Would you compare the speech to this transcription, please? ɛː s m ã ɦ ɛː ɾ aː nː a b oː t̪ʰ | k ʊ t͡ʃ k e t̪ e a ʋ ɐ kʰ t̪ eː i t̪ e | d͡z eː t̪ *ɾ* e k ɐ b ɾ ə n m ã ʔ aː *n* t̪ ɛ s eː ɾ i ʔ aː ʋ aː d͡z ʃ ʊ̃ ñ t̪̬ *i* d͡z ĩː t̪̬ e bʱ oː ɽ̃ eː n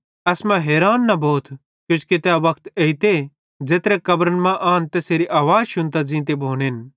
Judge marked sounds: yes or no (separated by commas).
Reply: yes, yes, no